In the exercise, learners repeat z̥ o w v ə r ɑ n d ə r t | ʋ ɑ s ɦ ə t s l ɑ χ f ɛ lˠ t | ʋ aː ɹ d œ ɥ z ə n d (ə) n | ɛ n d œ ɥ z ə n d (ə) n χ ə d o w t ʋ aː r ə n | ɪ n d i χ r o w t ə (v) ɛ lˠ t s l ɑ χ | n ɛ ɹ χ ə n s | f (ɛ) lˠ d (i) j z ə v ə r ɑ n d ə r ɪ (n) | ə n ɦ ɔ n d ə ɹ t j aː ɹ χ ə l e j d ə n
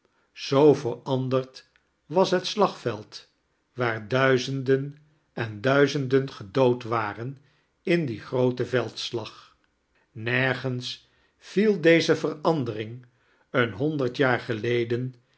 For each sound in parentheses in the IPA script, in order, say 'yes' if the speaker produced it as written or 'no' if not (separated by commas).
yes, yes, yes, no, no, no